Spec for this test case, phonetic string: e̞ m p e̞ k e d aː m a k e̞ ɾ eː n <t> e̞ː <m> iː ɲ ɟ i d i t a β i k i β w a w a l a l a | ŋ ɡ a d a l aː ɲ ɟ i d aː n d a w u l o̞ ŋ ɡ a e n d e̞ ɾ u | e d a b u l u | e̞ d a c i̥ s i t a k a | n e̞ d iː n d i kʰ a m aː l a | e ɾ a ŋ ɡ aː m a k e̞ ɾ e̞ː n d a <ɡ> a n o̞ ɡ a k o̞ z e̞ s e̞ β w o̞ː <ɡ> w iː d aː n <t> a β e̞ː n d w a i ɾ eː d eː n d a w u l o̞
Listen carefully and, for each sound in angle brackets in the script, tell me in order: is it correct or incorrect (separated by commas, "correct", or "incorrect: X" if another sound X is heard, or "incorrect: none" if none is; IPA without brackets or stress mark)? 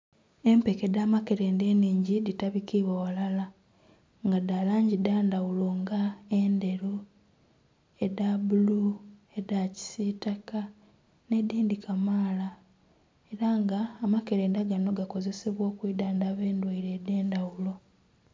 incorrect: d, incorrect: n, correct, incorrect: k, incorrect: d